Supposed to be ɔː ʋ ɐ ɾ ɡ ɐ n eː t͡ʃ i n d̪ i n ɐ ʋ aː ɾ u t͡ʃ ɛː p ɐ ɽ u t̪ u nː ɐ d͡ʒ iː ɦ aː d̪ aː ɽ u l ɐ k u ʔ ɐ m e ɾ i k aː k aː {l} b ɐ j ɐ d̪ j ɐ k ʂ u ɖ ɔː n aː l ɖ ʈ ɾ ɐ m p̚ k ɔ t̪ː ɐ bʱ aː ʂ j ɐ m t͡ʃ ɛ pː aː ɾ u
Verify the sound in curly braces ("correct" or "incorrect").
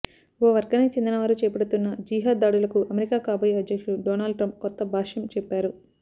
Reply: incorrect